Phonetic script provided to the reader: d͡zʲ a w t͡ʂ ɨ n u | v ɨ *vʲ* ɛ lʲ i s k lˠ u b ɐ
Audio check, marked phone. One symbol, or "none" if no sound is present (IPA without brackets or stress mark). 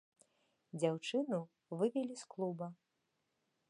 vʲ